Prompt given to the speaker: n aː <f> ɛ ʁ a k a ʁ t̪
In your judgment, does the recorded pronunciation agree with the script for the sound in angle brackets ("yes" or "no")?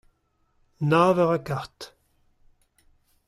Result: no